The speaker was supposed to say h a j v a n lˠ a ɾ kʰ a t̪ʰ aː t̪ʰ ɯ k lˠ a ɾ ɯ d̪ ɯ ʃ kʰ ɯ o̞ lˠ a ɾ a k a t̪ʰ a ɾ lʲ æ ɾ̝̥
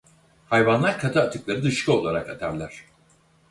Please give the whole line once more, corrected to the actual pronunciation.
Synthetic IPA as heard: h a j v a n lˠ a ɾ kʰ a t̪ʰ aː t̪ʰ ɯ k lˠ a ɾ ɯ d̪ ɯ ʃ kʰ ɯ o̞ lˠ a ɾ a k a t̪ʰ a ɾ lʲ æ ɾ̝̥